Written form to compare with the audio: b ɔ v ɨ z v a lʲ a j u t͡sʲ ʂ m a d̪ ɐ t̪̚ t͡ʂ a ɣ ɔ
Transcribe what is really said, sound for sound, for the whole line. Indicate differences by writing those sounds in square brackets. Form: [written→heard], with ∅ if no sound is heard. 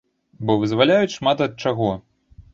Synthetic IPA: b ɔ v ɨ z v a lʲ a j u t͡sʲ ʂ m a [d̪→t̪] ɐ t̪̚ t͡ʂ a ɣ ɔ